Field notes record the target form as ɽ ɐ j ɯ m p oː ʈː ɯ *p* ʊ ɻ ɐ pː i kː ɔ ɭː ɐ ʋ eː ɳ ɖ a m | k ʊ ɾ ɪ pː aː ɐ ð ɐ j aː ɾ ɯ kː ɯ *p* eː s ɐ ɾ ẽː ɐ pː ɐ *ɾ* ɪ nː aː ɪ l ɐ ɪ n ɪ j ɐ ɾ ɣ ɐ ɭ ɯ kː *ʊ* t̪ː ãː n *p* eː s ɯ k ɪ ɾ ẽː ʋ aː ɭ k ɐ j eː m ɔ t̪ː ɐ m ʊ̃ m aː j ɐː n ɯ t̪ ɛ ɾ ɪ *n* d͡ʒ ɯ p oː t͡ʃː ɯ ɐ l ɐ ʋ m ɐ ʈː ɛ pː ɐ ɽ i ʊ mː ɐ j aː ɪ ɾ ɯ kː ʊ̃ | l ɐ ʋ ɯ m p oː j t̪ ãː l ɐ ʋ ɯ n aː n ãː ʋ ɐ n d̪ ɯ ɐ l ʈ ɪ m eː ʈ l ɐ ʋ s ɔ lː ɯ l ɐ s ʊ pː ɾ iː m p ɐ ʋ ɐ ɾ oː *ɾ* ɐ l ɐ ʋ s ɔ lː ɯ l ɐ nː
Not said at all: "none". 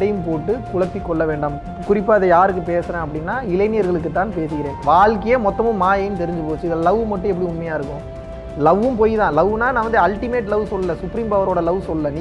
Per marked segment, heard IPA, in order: k, p, ɽ, ɯ, p, ɲ, ɽ

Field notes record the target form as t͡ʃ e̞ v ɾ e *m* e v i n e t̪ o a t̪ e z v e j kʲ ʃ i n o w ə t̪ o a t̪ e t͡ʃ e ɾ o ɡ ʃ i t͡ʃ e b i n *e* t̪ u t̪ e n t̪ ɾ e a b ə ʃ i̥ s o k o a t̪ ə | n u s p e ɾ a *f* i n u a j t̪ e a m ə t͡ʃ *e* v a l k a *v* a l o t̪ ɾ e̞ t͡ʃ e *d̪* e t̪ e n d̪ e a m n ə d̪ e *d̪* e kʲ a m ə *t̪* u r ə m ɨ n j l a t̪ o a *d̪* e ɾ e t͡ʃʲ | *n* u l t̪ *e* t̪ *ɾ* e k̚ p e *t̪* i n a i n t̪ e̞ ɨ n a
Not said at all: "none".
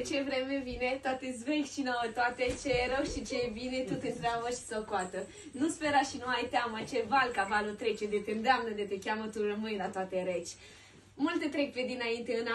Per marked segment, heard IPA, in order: m, e, ʃ, e, v, d̪, t̪, t̪, t̪, m, e, ɾ, d̪

